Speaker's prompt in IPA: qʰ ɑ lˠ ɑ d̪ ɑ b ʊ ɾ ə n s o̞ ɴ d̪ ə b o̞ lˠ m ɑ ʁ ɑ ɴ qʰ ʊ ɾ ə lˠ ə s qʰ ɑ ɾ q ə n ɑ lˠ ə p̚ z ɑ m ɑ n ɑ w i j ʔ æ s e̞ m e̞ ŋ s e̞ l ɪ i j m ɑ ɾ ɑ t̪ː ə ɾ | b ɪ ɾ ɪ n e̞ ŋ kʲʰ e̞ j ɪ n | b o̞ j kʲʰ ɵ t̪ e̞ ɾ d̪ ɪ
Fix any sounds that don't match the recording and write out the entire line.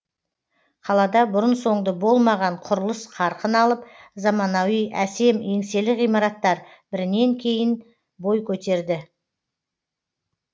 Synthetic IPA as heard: qʰ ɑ lˠ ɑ d̪ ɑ b ʊ ɾ ə n s o̞ ɴ d̪ ə b o̞ lˠ m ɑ ʁ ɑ ɴ qʰ ʊ ɾ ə lˠ ə s qʰ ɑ ɾ q ə n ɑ lˠ ə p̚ z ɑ m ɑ n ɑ w i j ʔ æ s e̞ m e̞ ŋ s e̞ l ɪ i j m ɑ ɾ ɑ t̪ː ɑ ɾ | b ɪ ɾ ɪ n e̞ ŋ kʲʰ e̞ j ɪ n | b o̞ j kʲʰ ɵ t̪ e̞ ɾ d̪ ɪ